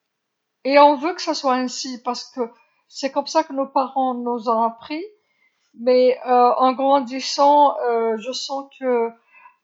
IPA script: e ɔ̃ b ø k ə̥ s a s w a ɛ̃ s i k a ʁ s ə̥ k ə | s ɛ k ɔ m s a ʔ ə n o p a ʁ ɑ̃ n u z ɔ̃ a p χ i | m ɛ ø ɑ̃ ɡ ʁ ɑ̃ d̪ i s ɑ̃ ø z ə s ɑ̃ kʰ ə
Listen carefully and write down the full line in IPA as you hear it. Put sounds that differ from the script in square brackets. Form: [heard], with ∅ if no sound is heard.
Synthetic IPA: e ɔ̃ [v] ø k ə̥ s a s w a ɛ̃ s i [p] a ʁ s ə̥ k ə | s ɛ k ɔ m s a [k] ə n o p a ʁ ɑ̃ n u z ɔ̃ a p χ i | m ɛ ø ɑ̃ ɡ ʁ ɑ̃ d̪ i s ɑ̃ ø [ʒ] ə s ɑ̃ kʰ ə